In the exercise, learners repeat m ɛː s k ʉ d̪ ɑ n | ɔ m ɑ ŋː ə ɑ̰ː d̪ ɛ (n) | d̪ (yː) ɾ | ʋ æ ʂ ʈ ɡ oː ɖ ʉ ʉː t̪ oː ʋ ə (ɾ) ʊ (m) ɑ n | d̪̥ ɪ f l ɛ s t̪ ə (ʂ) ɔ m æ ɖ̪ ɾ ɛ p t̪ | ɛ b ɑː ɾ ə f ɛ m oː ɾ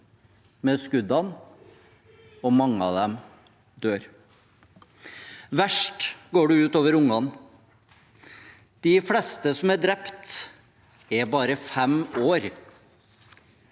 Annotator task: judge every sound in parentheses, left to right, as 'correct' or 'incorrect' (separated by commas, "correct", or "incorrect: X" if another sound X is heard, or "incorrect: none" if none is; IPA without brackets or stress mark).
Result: incorrect: m, incorrect: øː, correct, incorrect: ŋ, incorrect: s